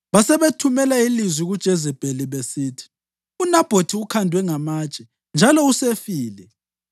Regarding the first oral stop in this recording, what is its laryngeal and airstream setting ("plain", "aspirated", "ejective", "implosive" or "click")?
aspirated